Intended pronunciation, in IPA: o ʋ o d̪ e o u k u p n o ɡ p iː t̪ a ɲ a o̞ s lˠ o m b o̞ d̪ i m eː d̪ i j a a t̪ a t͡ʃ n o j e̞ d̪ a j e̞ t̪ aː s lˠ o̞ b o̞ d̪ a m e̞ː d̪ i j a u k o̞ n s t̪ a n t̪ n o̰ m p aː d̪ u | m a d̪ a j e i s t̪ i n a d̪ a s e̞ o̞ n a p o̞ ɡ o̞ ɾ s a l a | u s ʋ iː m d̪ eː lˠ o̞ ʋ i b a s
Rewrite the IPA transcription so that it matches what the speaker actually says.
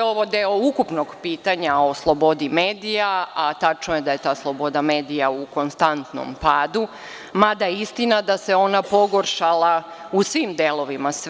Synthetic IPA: o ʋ o d̪ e o u k u p n o ɡ p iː t̪ a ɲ a o̞ s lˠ o b o̞ d̪ i m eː d̪ i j a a t̪ a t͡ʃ n o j e̞ d̪ a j e̞ t̪ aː s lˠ o̞ b o̞ d̪ a m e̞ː d̪ i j a u k o̞ n s t̪ a n t̪ n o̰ m p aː d̪ u | m a d̪ a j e i s t̪ i n a d̪ a s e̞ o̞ n a p o̞ ɡ o̞ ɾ ʃ a l a | u s ʋ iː m d̪ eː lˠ o̞ ʋ i m a s